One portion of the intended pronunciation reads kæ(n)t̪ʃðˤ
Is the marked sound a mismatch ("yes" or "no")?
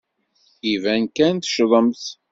no